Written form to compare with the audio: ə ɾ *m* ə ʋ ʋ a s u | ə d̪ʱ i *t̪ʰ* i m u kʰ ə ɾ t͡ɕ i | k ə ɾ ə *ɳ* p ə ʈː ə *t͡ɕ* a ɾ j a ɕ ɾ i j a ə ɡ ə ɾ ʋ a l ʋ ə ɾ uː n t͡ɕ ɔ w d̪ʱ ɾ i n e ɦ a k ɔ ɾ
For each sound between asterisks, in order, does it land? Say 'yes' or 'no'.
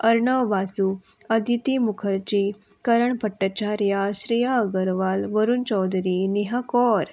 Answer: no, no, yes, yes

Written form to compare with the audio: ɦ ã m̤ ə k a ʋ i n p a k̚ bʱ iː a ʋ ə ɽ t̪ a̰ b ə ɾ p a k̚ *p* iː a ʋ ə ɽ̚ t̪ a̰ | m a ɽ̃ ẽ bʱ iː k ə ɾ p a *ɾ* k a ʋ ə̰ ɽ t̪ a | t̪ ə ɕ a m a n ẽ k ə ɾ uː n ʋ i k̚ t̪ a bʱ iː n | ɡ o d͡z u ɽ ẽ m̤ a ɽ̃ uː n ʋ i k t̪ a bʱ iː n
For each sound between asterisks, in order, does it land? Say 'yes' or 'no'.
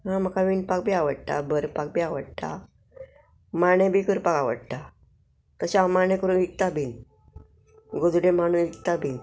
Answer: no, no

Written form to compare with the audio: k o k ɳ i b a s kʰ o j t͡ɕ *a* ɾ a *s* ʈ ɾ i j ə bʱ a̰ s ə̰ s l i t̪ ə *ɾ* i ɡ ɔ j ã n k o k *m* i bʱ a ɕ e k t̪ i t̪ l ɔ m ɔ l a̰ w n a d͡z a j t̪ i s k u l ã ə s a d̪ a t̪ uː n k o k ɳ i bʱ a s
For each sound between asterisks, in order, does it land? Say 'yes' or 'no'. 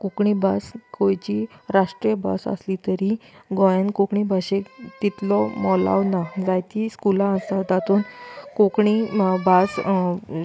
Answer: no, no, yes, no

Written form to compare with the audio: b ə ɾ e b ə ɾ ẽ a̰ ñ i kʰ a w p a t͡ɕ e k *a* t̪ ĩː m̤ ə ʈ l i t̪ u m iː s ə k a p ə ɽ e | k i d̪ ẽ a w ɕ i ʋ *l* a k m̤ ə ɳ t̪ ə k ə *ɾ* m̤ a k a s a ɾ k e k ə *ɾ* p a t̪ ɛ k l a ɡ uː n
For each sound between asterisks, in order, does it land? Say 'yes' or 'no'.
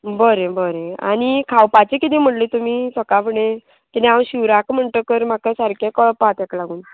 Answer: no, no, yes, no

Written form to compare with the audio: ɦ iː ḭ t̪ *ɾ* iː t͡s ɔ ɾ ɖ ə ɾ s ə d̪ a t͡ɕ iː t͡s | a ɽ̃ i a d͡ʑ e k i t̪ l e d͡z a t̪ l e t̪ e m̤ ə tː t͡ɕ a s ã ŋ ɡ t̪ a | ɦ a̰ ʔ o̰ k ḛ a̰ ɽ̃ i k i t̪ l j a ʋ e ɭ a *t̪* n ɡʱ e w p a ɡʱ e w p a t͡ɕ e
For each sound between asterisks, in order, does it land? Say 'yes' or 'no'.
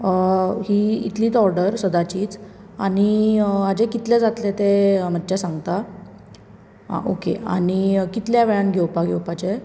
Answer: no, no

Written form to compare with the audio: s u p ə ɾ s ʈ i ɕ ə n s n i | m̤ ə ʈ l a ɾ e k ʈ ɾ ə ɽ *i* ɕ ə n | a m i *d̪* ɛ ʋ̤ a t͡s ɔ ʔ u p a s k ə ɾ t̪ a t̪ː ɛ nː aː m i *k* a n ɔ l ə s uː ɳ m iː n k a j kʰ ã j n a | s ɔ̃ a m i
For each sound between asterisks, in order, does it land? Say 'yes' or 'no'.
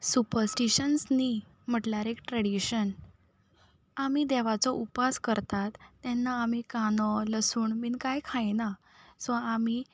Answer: yes, yes, yes

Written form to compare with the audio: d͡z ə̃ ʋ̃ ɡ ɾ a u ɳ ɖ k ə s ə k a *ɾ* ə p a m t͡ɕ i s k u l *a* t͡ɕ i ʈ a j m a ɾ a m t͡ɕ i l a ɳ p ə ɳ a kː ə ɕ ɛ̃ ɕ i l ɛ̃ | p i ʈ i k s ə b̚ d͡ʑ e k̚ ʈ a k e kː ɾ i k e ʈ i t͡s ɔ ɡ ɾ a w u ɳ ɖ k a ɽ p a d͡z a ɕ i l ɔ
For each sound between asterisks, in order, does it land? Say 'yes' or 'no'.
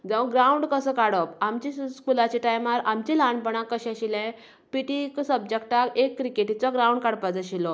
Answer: no, yes

